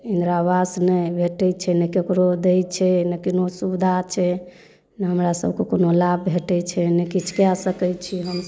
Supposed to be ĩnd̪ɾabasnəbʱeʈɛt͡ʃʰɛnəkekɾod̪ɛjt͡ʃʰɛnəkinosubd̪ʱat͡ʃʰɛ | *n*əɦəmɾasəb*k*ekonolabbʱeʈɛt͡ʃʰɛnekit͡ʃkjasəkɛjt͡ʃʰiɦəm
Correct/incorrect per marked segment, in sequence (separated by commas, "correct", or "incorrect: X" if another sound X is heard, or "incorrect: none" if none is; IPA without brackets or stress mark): correct, correct